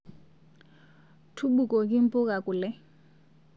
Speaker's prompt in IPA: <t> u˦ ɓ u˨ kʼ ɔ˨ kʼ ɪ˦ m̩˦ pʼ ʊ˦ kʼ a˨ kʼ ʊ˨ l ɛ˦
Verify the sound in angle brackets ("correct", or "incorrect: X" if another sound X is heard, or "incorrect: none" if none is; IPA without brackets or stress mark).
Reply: incorrect: tʰ